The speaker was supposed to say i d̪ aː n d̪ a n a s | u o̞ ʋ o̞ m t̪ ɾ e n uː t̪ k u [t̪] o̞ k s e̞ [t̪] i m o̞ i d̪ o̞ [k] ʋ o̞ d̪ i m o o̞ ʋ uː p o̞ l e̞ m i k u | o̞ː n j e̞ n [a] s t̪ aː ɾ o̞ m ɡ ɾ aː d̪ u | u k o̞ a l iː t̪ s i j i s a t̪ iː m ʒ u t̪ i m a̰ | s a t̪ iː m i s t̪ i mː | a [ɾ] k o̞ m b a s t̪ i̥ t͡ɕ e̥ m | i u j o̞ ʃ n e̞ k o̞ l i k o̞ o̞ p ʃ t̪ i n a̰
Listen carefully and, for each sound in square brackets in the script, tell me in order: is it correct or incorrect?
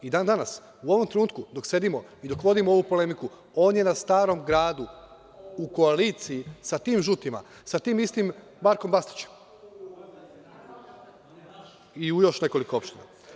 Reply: incorrect: d̪, incorrect: d̪, correct, correct, correct

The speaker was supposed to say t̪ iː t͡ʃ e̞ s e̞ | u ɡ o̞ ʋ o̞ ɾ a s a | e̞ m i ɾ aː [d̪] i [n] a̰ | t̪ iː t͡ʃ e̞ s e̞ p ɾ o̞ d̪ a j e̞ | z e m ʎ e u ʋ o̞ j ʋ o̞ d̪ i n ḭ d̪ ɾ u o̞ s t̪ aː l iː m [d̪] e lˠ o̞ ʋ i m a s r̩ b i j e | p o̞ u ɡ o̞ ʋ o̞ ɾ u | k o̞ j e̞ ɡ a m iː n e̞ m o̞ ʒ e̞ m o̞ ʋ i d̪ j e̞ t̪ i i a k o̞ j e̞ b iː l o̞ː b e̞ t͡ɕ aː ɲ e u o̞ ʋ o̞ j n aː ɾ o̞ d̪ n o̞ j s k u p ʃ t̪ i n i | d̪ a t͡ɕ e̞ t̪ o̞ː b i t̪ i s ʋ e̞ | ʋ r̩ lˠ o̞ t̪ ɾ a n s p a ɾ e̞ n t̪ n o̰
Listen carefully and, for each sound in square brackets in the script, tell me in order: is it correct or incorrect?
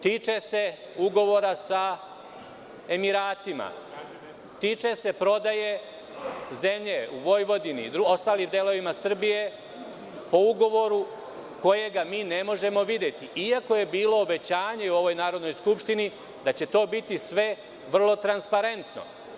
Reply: incorrect: t̪, incorrect: m, correct

